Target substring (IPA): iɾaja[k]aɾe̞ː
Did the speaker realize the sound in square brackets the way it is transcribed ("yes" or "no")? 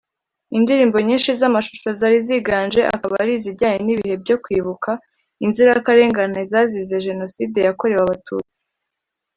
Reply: yes